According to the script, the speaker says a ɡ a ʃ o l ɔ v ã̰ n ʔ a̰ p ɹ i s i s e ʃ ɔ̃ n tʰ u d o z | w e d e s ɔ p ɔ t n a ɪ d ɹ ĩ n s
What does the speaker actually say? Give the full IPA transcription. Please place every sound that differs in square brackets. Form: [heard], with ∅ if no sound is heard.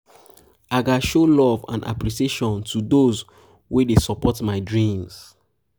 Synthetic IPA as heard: a ɡ a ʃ o l ɔ v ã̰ n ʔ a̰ p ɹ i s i [∅] e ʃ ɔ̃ n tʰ u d o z | w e d e s ɔ p ɔ t [m] a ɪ d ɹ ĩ [m] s

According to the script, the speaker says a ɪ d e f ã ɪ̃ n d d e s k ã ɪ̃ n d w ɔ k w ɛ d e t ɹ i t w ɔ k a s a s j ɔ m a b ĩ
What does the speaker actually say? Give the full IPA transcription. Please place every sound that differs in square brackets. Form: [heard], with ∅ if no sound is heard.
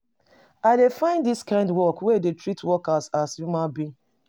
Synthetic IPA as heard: a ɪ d e f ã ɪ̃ n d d [i] s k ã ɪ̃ n d w ɔ k w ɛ d e t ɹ i t w ɔ k a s a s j [u] m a b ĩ

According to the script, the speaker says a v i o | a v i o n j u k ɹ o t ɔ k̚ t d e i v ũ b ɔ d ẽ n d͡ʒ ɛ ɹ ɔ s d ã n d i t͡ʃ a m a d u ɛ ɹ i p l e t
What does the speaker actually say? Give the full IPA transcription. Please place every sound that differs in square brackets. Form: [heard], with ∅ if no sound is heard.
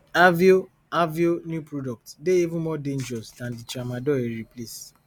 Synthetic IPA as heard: a v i o | a v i o n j u [p] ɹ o [d] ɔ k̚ t d e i v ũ [m] ɔ d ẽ n d͡ʒ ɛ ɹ ɔ s d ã n d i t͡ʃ a m a d [ɔ] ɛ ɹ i p l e [s]

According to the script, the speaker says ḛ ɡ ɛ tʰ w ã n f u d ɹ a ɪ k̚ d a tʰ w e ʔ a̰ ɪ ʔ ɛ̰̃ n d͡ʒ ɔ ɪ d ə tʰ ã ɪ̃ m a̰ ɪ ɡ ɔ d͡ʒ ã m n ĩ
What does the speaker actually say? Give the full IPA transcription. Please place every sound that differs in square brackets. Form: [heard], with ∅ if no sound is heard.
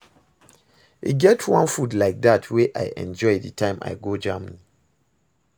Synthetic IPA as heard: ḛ ɡ ɛ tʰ w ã n f u d [l] a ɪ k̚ d a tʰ w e ʔ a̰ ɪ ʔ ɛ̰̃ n d͡ʒ ɔ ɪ d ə tʰ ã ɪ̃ m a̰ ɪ ɡ [o] d͡ʒ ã m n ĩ

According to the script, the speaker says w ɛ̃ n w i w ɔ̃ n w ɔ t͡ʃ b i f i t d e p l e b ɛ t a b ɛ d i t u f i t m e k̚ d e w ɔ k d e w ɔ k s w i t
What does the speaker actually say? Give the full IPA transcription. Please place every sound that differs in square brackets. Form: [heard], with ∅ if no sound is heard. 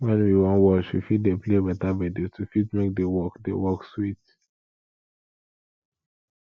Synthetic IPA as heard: w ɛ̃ n w i w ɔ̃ n w ɔ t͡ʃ [w] i f i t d e p l e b ɛ t a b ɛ d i t u f i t m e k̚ d e w ɔ k d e w ɔ k s w i t

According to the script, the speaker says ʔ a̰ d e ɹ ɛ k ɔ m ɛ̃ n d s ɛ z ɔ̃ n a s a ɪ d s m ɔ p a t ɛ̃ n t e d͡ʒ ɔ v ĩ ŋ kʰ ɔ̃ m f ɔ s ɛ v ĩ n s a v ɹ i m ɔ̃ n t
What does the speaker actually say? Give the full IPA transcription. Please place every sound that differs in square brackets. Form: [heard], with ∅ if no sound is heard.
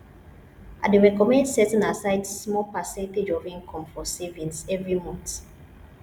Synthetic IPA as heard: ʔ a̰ d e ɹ ɛ k ɔ m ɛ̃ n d s ɛ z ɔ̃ n a s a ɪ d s m ɔ p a [s] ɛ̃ n t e d͡ʒ ɔ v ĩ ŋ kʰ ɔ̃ m f ɔ s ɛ v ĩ n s [ɛ] v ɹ i m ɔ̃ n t

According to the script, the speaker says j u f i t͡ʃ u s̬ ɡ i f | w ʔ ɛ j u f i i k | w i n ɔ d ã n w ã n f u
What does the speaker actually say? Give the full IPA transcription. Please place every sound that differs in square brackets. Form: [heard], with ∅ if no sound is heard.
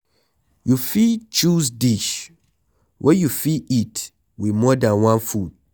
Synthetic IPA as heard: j u f i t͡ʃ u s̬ [d] i [ʃ] | w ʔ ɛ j u f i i [t] | w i [m] ɔ d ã n w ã n f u

